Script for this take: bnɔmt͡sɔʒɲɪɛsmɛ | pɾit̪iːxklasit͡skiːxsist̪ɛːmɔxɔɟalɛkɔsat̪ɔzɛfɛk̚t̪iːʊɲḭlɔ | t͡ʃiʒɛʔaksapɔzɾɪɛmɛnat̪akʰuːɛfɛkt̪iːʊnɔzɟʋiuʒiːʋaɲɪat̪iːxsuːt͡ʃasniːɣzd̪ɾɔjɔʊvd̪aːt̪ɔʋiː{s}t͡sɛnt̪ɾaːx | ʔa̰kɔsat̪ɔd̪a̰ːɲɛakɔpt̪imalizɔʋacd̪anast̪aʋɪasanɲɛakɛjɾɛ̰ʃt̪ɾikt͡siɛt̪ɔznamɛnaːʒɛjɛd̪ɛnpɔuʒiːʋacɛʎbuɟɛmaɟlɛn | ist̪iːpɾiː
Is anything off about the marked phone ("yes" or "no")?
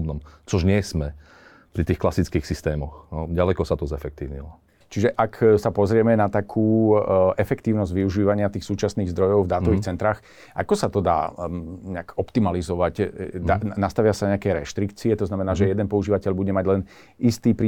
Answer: yes